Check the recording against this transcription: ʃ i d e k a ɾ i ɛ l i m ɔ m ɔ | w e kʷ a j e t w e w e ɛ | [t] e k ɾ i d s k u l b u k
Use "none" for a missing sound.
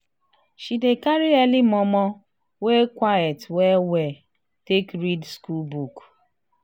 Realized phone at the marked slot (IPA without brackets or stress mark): t